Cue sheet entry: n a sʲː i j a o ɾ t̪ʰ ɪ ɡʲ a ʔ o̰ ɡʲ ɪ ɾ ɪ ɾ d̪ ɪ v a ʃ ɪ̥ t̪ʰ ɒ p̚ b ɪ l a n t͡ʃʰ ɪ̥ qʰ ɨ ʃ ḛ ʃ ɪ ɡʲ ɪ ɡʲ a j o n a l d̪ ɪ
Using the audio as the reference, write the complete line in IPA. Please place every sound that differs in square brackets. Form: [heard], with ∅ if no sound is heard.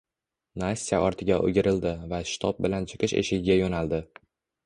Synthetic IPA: n a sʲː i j a [ɒ] ɾ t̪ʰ ɪ ɡʲ a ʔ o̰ ɡʲ ɪ ɾ ɪ [l] d̪ ɪ v a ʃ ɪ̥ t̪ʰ ɒ p̚ b ɪ l a n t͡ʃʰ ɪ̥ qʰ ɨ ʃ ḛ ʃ ɪ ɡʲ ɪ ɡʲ a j o n a l d̪ ɪ